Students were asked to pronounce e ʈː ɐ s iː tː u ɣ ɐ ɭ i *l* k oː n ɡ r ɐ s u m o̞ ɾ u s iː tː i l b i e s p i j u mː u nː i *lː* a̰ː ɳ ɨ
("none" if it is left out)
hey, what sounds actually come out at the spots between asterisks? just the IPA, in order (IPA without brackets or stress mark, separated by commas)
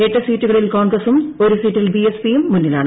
l, l